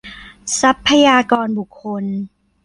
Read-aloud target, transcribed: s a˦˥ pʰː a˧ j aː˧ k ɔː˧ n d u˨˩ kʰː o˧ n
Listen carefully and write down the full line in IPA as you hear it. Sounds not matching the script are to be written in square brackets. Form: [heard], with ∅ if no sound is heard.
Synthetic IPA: s a˦˥ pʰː a˧ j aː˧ k ɔː˧ n [b] u˨˩ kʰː o˧ n